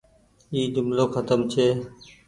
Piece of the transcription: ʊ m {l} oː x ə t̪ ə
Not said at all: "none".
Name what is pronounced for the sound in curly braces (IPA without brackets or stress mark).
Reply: l